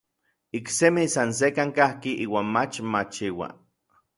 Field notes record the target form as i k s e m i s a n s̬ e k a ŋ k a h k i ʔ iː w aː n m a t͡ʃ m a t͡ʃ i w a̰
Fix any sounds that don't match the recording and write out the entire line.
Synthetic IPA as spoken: i k s e m i s a n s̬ e k a ŋ k a h k i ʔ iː w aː n m a t͡ʃ m a t͡ʃ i w a̰